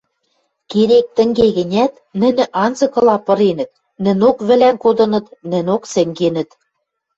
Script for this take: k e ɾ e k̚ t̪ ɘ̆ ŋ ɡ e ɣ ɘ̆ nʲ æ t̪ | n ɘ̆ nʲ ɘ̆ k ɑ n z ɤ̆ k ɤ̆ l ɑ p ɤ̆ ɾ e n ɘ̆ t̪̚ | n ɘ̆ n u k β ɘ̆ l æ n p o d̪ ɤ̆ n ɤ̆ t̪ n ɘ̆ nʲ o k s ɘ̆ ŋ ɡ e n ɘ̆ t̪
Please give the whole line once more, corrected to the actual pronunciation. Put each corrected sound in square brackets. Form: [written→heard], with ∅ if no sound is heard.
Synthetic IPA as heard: k e ɾ e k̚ t̪ ɘ̆ ŋ ɡ e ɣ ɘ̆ nʲ æ t̪ | n ɘ̆ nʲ ɘ̆ [k→ʔ] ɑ n z ɤ̆ k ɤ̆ l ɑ p ɤ̆ ɾ e n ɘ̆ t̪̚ | n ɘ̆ n [u→o] k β ɘ̆ l æ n [p→k] o d̪ ɤ̆ n ɤ̆ t̪ n ɘ̆ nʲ o k s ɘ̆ ŋ ɡ e n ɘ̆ t̪